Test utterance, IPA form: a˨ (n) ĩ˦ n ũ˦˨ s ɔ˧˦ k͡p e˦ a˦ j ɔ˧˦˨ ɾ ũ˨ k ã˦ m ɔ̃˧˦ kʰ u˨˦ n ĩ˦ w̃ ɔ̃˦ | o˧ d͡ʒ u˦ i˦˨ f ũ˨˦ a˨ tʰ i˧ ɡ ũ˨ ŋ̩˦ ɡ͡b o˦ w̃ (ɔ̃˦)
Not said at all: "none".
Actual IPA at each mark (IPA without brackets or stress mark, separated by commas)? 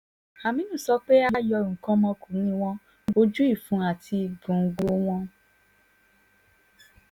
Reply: m, ɔ̃˦